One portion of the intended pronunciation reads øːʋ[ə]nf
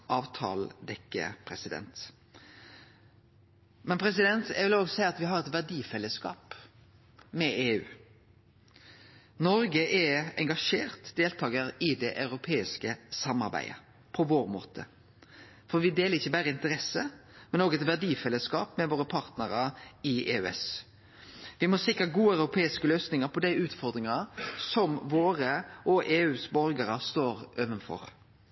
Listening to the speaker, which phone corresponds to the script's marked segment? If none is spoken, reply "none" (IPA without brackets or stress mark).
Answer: ə